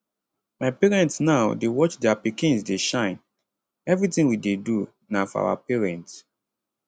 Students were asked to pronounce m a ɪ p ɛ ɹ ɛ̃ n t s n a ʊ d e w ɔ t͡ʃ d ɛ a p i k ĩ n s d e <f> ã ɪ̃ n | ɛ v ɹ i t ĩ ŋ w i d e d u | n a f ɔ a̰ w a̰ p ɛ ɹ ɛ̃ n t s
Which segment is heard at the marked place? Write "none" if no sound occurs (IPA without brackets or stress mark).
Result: ʃ